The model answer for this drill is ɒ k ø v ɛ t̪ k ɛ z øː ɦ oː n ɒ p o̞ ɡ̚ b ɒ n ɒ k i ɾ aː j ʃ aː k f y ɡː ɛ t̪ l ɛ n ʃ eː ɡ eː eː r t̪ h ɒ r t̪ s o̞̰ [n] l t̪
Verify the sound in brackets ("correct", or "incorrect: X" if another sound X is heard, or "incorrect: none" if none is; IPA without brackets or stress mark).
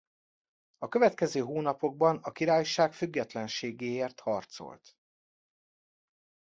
incorrect: none